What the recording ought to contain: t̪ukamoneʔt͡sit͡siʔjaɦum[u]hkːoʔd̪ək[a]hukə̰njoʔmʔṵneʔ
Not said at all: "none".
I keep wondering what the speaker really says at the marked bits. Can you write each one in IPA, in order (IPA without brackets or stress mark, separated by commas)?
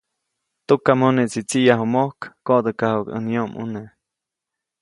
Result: o, a